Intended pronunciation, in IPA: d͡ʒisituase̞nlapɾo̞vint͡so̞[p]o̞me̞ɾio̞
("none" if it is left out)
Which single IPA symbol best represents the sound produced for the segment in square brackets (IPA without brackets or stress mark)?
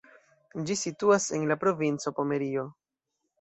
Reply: p